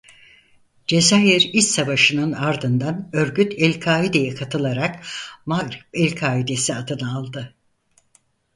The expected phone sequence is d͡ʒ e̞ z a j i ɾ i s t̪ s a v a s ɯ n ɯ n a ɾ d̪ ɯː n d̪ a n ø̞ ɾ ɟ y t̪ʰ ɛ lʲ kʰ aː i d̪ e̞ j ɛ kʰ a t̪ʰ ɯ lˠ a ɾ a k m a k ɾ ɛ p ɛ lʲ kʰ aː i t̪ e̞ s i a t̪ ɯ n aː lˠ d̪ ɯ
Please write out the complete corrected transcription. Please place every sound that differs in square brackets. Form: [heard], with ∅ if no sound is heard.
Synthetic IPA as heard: d͡ʒ e̞ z a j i ɾ i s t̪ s a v a [ʃ] ɯ n ɯ n a ɾ d̪ [ɯ] n d̪ a n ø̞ ɾ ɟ y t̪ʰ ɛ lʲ kʰ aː i d̪ e̞ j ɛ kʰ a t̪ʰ ɯ lˠ a ɾ a k m a [ɡ] ɾ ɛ p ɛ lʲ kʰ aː i [d̪] e̞ s i a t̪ ɯ n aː lˠ d̪ ɯ